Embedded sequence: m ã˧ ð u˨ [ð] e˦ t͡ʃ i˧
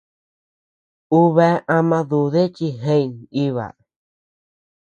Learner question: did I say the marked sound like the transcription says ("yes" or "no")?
yes